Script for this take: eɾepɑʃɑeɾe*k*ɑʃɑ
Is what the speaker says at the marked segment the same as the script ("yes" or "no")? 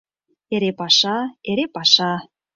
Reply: no